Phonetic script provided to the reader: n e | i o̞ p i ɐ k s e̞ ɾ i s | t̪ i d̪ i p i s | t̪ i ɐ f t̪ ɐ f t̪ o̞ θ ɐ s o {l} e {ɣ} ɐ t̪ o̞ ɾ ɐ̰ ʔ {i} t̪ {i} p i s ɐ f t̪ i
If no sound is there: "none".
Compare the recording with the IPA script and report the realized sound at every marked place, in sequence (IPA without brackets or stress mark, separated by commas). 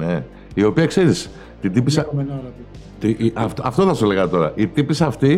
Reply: l, ɣ, i, i